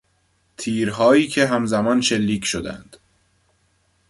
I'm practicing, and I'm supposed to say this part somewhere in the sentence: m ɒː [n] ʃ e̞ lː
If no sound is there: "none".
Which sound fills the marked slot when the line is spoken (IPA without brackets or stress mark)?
n